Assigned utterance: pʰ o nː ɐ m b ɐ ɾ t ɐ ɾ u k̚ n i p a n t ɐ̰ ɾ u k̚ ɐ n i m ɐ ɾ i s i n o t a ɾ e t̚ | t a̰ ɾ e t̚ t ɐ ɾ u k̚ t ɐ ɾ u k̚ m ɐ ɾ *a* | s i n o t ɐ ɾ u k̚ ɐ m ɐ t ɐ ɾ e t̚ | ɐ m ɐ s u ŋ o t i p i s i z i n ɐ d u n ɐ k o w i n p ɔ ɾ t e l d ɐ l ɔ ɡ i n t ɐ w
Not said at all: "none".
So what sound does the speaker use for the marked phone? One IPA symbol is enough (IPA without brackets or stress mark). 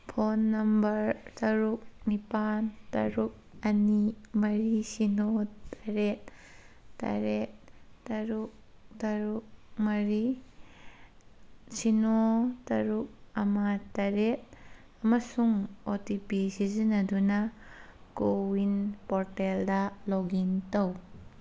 i